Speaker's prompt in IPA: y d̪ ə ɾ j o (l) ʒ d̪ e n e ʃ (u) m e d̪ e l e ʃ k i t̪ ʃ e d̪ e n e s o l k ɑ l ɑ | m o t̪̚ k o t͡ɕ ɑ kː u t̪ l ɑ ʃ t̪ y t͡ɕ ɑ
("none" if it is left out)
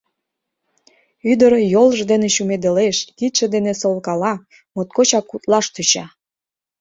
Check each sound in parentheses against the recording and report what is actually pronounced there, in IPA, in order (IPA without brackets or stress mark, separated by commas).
l, u